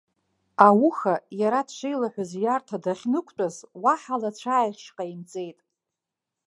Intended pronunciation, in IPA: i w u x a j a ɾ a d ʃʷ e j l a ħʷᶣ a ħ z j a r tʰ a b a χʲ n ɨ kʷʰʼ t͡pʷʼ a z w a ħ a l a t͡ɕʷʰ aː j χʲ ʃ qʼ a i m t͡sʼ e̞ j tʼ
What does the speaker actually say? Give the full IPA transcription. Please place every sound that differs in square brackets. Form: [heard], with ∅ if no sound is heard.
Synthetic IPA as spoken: [a] w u x a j a ɾ a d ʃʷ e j l a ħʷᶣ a [∅] z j a r tʰ a [d] a χʲ n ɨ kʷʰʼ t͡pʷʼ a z w a ħ a l a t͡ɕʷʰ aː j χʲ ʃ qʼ a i m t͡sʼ e̞ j tʼ